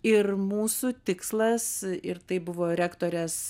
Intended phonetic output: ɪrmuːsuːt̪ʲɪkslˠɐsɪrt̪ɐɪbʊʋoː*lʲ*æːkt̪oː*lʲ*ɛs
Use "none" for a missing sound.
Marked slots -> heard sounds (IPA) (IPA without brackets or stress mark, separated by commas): ɾʲ, ɾʲ